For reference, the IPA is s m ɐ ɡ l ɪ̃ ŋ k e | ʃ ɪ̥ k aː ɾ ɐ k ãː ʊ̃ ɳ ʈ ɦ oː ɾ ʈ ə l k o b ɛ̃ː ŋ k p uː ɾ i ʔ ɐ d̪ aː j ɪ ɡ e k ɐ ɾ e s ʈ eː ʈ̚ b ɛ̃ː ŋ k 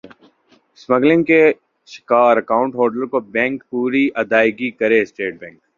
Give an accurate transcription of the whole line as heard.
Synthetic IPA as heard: s m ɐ ɡ l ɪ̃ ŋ k e | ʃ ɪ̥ k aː ɾ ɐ k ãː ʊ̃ ɳ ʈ ɦ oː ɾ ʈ ə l k o b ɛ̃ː ŋ k p uː ɾ i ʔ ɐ d̪ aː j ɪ ɡ i k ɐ ɾ e s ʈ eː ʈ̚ b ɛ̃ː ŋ k